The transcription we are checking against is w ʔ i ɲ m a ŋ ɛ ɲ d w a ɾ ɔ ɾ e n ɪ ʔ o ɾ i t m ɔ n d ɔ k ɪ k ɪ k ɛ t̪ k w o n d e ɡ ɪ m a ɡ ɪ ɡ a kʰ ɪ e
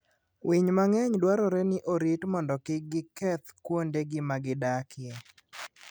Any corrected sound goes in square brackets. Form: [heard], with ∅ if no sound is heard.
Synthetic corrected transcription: w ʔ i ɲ m a ŋ ɛ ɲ d w a ɾ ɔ ɾ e n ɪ ʔ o ɾ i t m ɔ n d ɔ k ɪ [ɡ] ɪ k ɛ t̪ k w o n d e ɡ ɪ m a ɡ ɪ [d] a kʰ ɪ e